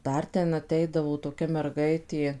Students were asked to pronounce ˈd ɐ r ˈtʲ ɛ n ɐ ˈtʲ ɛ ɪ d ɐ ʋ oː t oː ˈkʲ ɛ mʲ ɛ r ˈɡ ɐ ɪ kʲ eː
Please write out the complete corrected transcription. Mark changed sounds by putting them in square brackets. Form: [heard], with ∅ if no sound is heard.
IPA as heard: ˈd ɐ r ˈtʲ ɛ n ɐ ˈtʲ ɛ ɪ d ɐ ʋ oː t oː ˈkʲ ɛ mʲ ɛ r ˈɡ ɐ ɪ [tʲ] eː